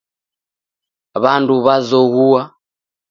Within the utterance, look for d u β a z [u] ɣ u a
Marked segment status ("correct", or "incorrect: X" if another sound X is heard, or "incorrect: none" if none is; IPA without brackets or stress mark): incorrect: ɔ